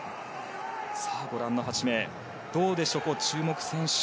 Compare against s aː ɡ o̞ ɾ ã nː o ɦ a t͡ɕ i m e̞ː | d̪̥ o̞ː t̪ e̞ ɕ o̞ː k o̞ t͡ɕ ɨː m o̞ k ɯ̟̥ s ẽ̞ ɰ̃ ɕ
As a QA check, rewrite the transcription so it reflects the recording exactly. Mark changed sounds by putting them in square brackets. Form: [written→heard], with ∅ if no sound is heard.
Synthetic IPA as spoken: s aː ɡ o̞ ɾ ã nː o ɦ a t͡ɕ i m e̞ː | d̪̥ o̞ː [t̪→d̪] e̞ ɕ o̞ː k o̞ t͡ɕ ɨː m o̞ k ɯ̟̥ s ẽ̞ ɰ̃ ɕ

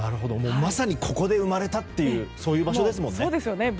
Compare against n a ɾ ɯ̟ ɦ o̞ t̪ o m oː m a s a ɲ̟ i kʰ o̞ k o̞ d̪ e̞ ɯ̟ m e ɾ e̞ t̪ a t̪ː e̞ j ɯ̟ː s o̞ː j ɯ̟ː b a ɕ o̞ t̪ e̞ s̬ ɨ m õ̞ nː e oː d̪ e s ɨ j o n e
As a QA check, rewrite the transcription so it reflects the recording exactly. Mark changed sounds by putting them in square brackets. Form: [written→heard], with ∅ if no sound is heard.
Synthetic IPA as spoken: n a ɾ ɯ̟ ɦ o̞ [t̪→d̪] o m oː m a s a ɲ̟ i kʰ o̞ k o̞ d̪ e̞ ɯ̟ m [e→a] ɾ e̞ t̪ a t̪ː e̞ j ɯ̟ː s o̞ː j ɯ̟ː b a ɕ o̞ [t̪→d̪] e̞ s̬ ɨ m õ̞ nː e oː d̪ e s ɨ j o n e

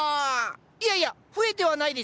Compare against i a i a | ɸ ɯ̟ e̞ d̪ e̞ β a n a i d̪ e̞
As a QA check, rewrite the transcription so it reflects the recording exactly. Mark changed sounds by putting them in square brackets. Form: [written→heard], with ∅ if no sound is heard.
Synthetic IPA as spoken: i a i a | ɸ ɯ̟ e̞ [d̪→t̪] e̞ β a n a i d̪ e̞

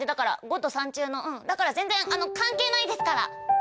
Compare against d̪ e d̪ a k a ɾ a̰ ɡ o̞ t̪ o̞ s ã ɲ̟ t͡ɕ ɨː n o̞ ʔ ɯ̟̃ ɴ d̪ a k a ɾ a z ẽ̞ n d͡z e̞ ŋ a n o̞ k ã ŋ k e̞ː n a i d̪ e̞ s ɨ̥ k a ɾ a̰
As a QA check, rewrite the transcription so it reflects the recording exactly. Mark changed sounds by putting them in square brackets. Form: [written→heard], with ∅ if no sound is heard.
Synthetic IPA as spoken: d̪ e d̪ a k a ɾ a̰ ɡ o̞ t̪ o̞ s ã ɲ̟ t͡ɕ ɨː n o̞ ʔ ɯ̟̃ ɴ d̪ a k a ɾ a z ẽ̞ n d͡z [e̞→ẽ̞] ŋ a n o̞ k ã ŋ k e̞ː n a i d̪ e̞ s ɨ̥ k a ɾ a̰

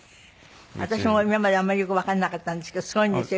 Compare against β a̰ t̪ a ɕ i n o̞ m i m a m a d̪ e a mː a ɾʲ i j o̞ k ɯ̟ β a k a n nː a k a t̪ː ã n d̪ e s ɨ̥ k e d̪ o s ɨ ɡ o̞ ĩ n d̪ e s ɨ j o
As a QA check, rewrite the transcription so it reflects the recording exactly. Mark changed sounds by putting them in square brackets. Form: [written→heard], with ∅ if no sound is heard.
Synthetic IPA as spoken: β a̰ t̪ a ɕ i [n→m] o̞ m i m a m a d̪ e a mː a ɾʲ i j o̞ k ɯ̟ β a k a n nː a k a t̪ː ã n d̪ e s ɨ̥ k e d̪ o s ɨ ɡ o̞ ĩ n d̪ e s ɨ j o

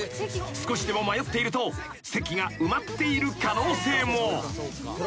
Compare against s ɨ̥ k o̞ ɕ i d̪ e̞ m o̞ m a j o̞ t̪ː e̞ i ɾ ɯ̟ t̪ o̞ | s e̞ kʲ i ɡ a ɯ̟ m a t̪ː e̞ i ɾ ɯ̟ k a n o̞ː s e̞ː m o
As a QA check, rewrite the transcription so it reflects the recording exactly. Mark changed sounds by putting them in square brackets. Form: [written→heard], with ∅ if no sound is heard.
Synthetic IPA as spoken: s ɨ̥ k o̞ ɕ i d̪ e̞ m o̞ m a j o̞ t̪ː e̞ i ɾ ɯ̟ t̪ o̞ | s e̞ kʲ i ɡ a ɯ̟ m a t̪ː e̞ i ɾ ɯ̟ k a n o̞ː s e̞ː m o

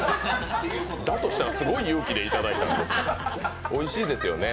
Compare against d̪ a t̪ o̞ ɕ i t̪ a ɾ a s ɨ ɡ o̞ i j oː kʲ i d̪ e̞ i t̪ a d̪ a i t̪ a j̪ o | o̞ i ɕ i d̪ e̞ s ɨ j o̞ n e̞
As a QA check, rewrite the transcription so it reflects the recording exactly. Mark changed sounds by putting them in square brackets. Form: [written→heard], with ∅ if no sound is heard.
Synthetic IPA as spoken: d̪ a t̪ o̞ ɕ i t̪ a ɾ a s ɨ ɡ o̞ i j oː kʲ i d̪ e̞ i t̪ a d̪ a i t̪ a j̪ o | o̞ i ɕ [i→iː] d̪ e̞ s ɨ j o̞ n e̞

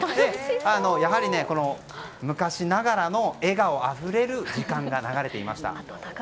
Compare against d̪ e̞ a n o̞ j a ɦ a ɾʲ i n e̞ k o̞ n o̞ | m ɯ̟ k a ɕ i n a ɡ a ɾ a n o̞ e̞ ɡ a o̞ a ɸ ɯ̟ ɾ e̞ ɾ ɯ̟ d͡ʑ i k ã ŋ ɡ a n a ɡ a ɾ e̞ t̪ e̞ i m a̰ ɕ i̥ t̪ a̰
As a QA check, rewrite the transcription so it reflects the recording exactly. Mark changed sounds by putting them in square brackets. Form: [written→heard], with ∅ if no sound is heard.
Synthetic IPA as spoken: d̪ e̞ a n o̞ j a ɦ a ɾʲ i n e̞ k o̞ n o̞ | m ɯ̟ k a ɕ i n a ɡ a ɾ a n o̞ e̞ ɡ a o̞ a ɸ ɯ̟ ɾ e̞ ɾ ɯ̟ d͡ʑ i k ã ŋ ɡ a n a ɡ a ɾ e̞ t̪ e̞ i m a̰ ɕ i̥ t̪ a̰

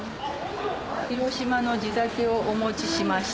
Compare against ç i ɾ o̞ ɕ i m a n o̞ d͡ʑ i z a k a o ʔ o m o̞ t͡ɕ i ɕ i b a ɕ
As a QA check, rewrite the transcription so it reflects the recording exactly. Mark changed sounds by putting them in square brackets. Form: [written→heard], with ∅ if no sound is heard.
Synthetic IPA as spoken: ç i ɾ o̞ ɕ i m a n o̞ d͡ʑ i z a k [a→e] o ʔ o m o̞ t͡ɕ i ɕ i [b→m] a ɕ

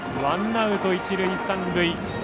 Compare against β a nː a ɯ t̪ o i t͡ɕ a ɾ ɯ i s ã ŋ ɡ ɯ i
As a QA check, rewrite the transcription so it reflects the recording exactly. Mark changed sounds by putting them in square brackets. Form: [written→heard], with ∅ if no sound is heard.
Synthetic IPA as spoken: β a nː a ɯ t̪ o i t͡ɕ [a→i] ɾ ɯ i s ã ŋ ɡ ɯ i

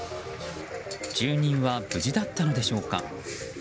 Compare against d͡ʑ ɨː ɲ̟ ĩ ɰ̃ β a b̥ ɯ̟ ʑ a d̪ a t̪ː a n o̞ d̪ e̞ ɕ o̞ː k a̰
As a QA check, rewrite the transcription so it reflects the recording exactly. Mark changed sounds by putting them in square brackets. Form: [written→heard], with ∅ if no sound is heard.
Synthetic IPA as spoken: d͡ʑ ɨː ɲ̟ ĩ ɰ̃ β a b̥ ɯ̟ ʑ [a→i] d̪ a t̪ː a n o̞ d̪ e̞ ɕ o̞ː k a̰

